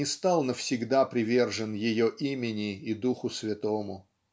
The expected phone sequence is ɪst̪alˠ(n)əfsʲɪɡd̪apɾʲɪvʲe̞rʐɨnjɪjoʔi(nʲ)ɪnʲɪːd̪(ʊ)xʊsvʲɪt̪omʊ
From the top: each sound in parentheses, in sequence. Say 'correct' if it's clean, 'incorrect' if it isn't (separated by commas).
correct, incorrect, incorrect